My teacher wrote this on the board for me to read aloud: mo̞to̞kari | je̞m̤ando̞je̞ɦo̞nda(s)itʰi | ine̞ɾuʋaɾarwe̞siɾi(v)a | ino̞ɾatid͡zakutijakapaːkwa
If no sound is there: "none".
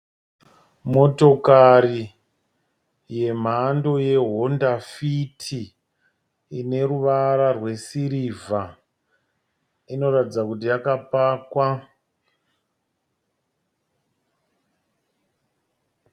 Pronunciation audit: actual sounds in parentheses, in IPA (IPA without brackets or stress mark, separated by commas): f, v